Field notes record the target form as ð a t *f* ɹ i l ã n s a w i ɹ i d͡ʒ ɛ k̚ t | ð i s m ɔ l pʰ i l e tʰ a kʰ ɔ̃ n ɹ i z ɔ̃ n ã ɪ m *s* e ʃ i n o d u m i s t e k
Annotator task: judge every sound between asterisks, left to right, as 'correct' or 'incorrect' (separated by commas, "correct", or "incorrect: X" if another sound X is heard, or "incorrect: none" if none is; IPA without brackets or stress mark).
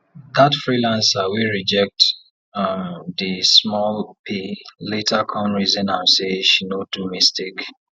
correct, correct